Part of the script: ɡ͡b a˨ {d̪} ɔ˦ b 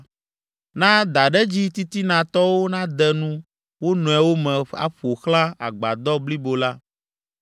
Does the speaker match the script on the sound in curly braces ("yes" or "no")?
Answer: yes